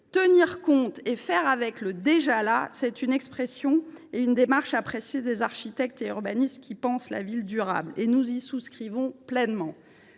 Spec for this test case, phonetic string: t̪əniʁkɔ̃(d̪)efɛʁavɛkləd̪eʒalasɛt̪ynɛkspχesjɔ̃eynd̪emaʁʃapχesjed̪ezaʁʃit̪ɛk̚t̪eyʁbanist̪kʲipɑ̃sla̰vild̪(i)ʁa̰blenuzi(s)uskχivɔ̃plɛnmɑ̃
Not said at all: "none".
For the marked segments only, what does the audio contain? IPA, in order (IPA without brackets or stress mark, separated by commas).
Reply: t̪, y, s